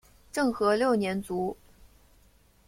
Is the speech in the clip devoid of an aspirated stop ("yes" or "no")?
yes